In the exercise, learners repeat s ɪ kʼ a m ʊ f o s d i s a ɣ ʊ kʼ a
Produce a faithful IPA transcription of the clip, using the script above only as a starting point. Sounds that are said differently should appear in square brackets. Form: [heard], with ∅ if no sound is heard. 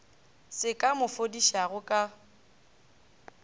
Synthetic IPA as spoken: s ɪ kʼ a m ʊ f o [∅] d i [ʃ] a ɣ ʊ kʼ a

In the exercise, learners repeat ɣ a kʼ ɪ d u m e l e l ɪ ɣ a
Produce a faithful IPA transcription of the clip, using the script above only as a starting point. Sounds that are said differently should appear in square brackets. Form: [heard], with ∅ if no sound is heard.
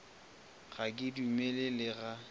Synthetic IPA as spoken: ɣ a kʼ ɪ d u m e l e l ɪ ɣ a

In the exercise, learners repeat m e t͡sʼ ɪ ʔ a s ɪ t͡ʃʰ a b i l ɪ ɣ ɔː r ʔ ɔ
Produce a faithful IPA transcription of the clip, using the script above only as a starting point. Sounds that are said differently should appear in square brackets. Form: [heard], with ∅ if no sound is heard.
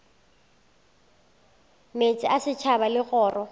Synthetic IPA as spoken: m e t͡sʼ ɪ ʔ a s ɪ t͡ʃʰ a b [a] l ɪ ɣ ɔː r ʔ ɔ

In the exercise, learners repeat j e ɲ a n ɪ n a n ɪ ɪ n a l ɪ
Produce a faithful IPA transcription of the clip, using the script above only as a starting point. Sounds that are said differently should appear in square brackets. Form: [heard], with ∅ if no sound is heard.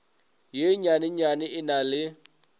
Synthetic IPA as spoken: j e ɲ a n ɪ [ɲ] a n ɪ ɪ n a l ɪ

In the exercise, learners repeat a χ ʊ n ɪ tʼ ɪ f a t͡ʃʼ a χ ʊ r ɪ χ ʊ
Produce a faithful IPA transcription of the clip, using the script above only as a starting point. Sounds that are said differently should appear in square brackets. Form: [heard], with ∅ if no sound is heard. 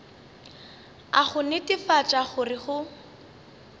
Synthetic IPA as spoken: a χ ʊ n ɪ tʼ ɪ f a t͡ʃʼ a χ ʊ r ɪ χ ʊ

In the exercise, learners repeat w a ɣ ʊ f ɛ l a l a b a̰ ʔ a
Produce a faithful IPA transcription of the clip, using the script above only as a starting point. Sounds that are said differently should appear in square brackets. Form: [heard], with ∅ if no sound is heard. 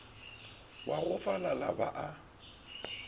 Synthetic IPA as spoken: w a ɣ ʊ f [a] l a l a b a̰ ʔ a

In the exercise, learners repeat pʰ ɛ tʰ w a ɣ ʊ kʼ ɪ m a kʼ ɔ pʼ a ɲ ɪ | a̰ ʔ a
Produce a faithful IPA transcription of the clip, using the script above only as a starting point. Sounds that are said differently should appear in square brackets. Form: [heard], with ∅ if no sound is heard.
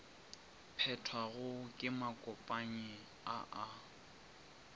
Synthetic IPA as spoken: pʰ ɛ tʰ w a ɣ ʊ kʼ ɪ m a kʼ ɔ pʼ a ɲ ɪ | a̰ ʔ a

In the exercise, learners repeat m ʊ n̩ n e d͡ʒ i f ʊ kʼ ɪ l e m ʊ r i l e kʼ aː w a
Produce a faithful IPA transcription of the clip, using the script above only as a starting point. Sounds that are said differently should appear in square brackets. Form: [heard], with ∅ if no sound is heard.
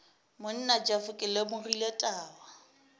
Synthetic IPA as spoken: m ʊ n̩ n [a] d͡ʒ [a] f ʊ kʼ ɪ l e m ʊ r i l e [tʼ] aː w a

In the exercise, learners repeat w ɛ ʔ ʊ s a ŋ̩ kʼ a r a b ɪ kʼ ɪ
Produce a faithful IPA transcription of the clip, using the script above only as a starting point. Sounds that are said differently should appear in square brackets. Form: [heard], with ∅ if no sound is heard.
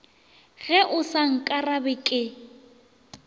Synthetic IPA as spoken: [ɣ] ɛ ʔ ʊ s a ŋ̩ kʼ a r a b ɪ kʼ ɪ

